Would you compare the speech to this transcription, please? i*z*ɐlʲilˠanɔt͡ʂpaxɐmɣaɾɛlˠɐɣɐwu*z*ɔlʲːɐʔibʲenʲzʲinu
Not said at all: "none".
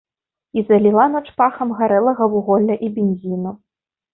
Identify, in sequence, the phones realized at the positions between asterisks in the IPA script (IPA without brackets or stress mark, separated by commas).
z, ɣ